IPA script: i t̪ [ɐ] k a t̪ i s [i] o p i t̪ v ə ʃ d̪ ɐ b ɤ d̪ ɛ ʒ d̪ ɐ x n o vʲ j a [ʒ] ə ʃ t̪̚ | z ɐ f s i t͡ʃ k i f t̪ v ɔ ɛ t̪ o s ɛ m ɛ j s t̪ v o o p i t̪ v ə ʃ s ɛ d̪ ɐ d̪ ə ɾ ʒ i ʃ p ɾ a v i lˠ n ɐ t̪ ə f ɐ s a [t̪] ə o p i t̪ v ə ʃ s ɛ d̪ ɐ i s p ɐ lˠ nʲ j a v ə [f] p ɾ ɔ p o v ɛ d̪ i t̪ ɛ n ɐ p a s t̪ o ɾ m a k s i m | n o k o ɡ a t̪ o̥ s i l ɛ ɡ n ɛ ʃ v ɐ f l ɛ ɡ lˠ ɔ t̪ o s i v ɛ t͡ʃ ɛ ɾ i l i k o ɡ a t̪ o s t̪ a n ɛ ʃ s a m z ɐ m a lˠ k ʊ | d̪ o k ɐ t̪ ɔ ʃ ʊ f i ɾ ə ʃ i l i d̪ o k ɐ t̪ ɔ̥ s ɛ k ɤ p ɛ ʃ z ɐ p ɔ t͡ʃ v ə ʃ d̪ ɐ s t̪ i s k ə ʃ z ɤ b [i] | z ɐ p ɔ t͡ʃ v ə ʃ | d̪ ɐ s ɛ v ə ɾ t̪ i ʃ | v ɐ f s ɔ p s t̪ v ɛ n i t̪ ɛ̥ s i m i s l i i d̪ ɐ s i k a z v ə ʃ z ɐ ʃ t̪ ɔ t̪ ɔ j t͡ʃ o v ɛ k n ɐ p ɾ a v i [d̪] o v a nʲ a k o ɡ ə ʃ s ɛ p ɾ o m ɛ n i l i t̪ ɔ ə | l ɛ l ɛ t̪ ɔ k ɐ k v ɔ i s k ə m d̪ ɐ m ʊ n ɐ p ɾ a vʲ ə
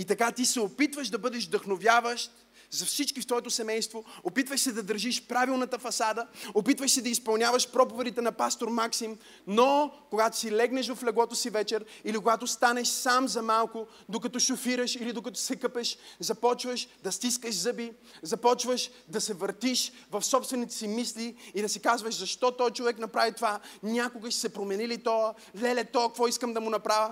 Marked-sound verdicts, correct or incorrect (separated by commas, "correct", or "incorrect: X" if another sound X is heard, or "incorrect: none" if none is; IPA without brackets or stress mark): correct, incorrect: ɛ, incorrect: v, incorrect: d̪, incorrect: ʃ, correct, incorrect: t̪